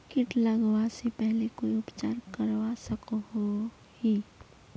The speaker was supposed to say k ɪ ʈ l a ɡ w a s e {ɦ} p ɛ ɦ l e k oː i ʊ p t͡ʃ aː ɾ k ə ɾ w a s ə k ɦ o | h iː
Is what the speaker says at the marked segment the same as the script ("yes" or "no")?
no